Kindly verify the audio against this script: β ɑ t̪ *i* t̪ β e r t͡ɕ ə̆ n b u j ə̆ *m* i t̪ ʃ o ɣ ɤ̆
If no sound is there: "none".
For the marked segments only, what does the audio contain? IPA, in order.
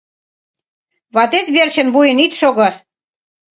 e, n

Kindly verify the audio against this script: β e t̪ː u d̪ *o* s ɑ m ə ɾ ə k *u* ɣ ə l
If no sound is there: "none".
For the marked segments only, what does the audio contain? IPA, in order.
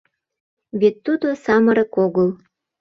o, o

